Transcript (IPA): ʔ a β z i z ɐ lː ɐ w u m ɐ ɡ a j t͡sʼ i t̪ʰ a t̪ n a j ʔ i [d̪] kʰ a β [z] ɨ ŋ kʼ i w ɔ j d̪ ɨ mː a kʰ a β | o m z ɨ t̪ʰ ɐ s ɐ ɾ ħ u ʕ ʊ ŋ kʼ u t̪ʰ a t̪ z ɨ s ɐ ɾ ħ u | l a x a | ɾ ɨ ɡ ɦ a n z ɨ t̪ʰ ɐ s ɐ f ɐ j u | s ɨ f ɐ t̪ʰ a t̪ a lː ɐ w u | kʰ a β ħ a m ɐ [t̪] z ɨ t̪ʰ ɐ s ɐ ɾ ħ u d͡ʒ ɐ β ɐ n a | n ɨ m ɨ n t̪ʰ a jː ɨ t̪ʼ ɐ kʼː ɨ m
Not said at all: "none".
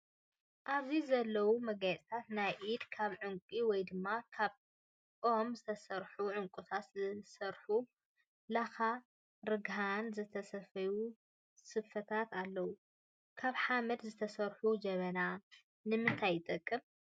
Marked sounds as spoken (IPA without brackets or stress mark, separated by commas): d̪, ʕ, d̪